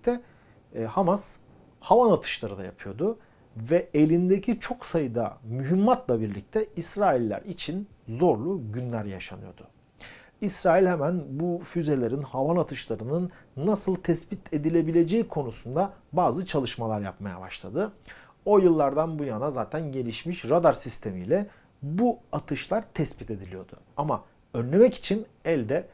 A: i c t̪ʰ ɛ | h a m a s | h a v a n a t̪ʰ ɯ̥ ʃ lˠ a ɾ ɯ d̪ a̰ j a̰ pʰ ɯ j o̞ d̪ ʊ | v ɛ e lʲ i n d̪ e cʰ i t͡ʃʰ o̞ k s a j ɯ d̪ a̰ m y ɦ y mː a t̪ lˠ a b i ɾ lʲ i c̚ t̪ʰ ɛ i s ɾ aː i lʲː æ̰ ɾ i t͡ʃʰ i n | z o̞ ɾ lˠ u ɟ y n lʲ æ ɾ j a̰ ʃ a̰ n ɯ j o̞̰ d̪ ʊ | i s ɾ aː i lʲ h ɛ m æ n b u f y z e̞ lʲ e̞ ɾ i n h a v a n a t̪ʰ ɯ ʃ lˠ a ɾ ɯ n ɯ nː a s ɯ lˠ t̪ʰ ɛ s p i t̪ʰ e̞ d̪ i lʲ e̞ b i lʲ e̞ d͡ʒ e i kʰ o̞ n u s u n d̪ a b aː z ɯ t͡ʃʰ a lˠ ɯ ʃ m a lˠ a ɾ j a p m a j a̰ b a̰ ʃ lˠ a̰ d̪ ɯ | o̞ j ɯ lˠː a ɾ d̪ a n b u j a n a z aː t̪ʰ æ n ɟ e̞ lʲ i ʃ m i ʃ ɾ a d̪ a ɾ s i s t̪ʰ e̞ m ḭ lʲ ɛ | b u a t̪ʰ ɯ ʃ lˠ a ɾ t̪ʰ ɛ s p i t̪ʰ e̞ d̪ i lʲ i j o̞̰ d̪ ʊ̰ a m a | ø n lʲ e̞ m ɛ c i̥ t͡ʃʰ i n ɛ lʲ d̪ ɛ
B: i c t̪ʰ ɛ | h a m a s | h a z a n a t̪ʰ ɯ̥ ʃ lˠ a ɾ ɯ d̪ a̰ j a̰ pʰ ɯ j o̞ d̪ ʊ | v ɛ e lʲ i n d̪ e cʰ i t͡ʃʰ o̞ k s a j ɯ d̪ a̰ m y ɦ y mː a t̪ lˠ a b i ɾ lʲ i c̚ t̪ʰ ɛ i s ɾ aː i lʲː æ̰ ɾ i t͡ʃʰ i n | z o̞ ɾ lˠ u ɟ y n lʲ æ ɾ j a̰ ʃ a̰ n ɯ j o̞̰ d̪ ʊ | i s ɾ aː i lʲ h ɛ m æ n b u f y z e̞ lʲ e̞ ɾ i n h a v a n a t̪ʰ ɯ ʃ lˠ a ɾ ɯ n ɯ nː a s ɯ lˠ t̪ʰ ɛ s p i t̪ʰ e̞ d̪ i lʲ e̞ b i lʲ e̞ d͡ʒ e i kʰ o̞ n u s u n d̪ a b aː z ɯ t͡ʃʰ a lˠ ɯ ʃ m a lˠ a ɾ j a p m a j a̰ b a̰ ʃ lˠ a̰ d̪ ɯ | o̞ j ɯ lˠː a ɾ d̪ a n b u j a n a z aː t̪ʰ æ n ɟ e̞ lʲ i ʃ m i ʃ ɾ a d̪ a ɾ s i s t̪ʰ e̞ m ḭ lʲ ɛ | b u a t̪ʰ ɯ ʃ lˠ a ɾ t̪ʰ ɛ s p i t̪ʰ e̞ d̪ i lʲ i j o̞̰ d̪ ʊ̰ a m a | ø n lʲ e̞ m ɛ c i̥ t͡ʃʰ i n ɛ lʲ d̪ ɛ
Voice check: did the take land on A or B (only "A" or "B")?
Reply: A